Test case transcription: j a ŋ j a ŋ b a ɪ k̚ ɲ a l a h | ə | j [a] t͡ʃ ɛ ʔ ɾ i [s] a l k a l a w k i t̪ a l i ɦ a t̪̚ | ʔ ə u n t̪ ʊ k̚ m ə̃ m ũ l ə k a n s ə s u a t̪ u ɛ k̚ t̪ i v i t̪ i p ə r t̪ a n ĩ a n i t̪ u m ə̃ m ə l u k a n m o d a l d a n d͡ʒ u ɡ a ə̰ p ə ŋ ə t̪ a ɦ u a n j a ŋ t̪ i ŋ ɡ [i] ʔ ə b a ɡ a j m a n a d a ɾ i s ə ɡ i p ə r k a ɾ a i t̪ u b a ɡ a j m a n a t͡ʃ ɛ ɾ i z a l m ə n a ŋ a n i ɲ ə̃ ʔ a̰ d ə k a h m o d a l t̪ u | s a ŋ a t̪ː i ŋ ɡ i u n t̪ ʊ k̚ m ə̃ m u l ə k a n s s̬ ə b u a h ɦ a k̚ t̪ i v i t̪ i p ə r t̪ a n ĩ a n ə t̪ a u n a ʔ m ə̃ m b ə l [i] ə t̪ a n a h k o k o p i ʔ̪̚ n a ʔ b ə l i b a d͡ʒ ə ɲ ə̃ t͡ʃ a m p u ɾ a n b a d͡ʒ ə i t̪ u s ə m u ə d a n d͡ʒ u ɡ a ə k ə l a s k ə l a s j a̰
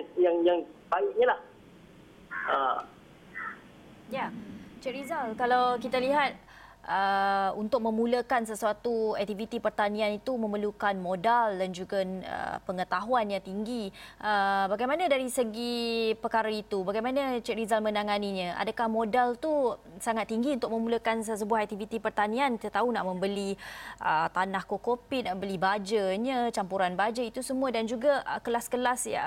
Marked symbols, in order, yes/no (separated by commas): yes, no, yes, yes